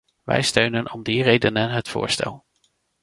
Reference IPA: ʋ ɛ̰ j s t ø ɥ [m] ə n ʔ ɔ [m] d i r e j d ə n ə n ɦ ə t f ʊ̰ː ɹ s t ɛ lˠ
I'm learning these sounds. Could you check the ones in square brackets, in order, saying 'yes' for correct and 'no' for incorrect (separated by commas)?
no, yes